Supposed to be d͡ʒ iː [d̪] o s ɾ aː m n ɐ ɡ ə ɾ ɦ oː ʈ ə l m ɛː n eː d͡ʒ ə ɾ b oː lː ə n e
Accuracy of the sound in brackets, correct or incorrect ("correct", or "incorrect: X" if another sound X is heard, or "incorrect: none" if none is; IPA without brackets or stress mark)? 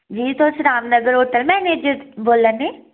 incorrect: t̪